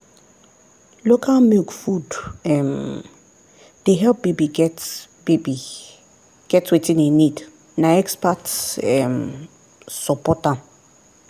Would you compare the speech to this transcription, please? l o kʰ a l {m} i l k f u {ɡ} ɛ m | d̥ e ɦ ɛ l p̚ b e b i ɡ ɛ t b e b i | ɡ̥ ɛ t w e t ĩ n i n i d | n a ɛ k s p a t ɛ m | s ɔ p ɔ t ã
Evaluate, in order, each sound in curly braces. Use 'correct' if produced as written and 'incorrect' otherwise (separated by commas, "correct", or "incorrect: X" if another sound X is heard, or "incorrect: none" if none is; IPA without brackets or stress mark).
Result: correct, incorrect: d